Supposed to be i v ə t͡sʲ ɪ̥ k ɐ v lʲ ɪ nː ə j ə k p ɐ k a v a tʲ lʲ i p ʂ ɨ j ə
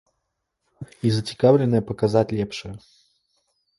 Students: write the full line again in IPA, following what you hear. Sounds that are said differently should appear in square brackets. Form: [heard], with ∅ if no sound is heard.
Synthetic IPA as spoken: i [z] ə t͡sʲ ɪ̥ k [a] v lʲ ɪ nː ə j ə [∅] p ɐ k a [z] a tʲ lʲ [ɛ] p ʂ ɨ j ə